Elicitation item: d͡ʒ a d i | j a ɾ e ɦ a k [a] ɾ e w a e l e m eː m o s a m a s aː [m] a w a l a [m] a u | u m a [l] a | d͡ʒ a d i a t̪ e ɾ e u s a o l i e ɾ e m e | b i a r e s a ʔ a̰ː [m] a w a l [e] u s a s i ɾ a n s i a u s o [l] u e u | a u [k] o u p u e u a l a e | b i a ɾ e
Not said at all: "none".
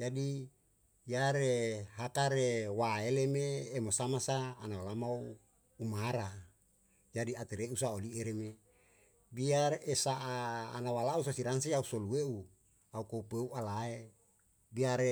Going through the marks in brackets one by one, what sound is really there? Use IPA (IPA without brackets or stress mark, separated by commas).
a, n, m, ɾ, n, a, l, k